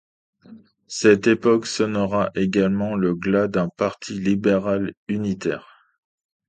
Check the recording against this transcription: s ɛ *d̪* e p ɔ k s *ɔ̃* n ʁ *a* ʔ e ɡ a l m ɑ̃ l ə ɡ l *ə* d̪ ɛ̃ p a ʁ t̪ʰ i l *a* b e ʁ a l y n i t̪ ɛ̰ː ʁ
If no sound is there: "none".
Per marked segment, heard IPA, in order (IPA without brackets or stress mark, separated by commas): t̪, ɔ, a, a, i